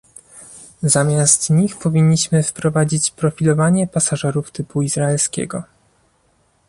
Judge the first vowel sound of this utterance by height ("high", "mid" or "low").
low